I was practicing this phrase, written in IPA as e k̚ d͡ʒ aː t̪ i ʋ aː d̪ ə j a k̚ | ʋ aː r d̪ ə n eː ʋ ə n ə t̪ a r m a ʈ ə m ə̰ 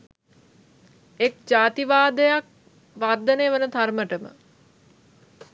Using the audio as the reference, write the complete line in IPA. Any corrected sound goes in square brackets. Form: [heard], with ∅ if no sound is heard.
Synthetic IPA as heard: e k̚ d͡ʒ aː t̪ i ʋ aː d̪ ə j a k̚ | ʋ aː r d̪ ə n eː ʋ ə n ə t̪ a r m [ə] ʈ ə m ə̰